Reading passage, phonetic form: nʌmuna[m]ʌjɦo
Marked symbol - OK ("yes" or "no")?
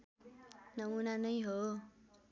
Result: no